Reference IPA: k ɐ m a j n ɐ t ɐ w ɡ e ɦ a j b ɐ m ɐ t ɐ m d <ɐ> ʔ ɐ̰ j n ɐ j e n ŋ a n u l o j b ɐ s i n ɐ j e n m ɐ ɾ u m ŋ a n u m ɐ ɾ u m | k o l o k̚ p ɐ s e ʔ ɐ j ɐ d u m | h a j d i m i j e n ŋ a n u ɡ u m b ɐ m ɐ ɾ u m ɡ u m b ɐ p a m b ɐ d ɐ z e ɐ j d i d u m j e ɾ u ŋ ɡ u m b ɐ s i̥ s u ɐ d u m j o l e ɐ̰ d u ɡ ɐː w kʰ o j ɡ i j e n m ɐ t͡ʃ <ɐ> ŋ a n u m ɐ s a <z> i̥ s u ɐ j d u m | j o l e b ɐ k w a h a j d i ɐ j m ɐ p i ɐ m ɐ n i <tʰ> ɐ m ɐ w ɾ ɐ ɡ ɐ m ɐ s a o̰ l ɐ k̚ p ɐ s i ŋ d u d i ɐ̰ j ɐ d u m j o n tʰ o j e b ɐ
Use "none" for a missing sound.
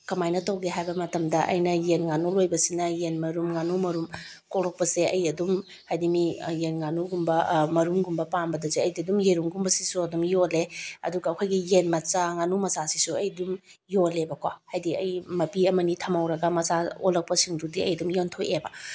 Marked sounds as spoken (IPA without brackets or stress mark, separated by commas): ɐ, a, s, tʰ